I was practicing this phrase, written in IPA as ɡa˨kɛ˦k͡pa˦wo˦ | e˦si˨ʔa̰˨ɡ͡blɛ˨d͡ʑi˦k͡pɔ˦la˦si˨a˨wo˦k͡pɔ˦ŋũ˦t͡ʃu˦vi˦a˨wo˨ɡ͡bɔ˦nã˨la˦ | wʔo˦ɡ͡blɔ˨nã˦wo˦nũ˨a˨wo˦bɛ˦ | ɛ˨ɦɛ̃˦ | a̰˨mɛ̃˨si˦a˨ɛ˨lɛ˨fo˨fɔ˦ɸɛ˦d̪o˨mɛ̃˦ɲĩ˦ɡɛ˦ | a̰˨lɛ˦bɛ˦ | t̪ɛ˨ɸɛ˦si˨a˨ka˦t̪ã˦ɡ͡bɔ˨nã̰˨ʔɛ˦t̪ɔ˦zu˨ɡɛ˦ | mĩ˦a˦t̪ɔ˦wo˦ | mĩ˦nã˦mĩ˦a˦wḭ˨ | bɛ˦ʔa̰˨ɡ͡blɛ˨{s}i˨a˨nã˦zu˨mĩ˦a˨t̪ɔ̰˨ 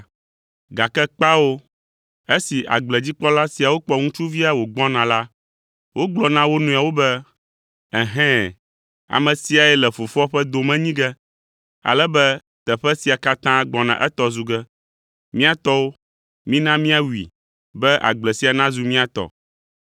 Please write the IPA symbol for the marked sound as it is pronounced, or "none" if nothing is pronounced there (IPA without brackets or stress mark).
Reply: s